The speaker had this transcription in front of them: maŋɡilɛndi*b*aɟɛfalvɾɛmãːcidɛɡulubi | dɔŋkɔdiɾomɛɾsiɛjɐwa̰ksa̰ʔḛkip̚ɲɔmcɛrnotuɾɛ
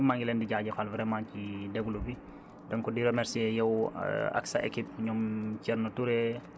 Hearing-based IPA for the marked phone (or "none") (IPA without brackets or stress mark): ɟ